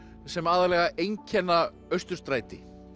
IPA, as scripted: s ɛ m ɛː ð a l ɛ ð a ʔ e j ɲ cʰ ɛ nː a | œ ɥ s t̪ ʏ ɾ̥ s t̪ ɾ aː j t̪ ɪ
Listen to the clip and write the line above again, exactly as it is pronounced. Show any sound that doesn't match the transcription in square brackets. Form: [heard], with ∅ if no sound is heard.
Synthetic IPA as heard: s ɛ m [aː] ð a l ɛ [ɣ] a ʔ e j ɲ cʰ ɛ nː a | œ ɥ s t̪ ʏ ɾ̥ s t̪ ɾ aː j t̪ ɪ